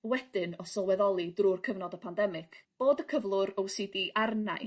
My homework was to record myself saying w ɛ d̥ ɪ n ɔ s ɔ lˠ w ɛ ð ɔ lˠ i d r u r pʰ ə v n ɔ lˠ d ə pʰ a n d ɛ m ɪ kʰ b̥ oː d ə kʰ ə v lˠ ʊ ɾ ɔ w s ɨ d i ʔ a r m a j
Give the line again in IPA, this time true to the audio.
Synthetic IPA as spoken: w ɛ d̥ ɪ n ɔ s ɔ lˠ w ɛ ð ɔ lˠ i d r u r kʰ ə v n ɔ d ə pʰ a n d ɛ m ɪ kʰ b̥ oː d ə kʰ ə v lˠ ʊ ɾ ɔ w s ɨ d i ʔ a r n a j